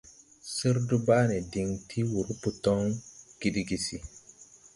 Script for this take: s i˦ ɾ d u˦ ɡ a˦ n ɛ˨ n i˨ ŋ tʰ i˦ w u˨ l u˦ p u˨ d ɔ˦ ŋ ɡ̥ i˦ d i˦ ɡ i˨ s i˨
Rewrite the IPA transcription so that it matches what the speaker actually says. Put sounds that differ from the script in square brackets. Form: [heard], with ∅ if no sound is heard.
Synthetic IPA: s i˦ ɾ d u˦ [b] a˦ n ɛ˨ [d] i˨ ŋ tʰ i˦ w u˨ [ɾ] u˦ p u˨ [t] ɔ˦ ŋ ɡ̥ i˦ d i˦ ɡ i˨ s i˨

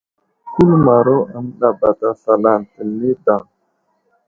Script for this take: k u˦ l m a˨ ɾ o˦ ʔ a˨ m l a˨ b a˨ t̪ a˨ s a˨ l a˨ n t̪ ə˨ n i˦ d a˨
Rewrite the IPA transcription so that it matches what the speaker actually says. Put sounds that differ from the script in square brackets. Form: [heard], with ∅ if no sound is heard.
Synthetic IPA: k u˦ l m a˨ ɾ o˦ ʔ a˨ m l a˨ b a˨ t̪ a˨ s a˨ l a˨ n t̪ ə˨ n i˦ d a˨

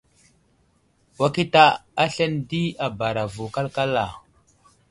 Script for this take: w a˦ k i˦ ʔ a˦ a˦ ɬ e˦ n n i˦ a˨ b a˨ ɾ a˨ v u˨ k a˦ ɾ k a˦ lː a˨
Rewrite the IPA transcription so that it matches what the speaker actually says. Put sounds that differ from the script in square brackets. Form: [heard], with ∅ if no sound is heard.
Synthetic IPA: w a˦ k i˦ [t] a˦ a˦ ɬ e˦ n [d] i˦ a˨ b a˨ ɾ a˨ v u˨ k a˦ [l] k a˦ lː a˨

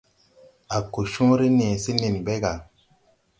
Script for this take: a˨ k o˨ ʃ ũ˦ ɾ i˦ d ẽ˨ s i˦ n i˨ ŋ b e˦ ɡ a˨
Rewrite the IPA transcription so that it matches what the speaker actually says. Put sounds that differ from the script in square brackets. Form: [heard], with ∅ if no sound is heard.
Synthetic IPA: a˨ k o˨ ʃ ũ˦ ɾ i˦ [n] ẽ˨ s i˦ n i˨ [n] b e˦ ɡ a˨

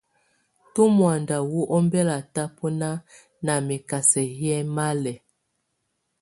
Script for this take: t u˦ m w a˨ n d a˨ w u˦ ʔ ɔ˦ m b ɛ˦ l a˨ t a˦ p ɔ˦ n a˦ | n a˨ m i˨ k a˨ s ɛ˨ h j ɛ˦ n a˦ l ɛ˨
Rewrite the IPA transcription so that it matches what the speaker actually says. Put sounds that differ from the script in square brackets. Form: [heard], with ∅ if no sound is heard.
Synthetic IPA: t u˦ m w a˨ n d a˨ w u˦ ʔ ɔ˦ m b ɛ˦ l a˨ t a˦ p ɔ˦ n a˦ | n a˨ m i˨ k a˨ s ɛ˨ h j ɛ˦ [m] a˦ l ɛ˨

